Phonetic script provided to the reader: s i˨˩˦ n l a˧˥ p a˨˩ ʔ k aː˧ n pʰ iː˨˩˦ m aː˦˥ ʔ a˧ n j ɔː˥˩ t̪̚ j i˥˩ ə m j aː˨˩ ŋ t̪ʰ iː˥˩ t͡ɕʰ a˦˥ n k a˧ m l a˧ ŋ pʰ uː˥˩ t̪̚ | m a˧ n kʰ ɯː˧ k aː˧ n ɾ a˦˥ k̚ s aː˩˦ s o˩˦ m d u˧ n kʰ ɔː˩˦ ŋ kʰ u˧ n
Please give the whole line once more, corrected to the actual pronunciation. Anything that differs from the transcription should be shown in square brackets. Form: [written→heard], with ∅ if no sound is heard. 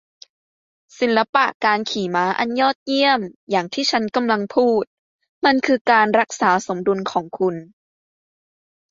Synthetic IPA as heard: s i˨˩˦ n l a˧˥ p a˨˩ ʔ k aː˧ n [pʰ→kʰ] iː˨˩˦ m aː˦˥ ʔ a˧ n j ɔː˥˩ t̪̚ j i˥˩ ə m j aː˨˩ ŋ t̪ʰ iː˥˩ t͡ɕʰ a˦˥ n k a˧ m l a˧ ŋ pʰ uː˥˩ t̪̚ | m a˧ n kʰ ɯː˧ k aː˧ n ɾ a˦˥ k̚ s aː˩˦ s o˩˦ m d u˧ n kʰ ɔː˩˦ ŋ kʰ u˧ n